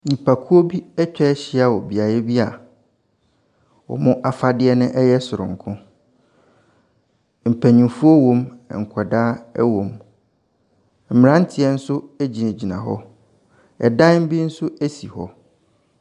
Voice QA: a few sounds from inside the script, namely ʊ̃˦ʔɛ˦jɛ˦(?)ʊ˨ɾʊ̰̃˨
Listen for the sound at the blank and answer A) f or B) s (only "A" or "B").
B